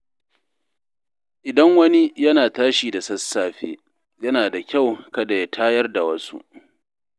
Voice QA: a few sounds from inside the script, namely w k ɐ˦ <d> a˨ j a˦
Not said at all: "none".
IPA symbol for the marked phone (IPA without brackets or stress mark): d